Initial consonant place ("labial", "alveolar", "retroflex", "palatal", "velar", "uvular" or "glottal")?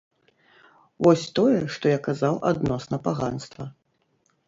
labial